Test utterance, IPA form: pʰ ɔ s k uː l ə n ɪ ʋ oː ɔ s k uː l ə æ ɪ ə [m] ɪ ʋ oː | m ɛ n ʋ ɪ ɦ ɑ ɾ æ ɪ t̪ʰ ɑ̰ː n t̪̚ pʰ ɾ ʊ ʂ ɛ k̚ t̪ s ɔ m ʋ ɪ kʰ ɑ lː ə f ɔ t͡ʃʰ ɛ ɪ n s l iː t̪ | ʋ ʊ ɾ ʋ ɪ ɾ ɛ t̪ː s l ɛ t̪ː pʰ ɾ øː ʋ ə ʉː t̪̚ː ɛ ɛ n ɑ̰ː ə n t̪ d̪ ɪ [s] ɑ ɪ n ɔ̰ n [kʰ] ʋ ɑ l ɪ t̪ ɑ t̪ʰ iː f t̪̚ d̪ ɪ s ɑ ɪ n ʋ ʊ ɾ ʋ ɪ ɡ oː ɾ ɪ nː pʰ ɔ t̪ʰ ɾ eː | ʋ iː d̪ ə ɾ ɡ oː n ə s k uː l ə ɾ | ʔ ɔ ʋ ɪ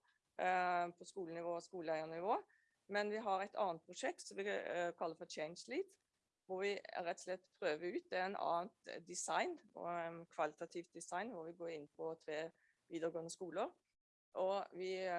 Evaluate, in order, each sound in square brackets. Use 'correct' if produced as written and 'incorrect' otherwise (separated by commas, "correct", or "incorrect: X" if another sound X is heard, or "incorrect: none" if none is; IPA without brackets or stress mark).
incorrect: n, correct, correct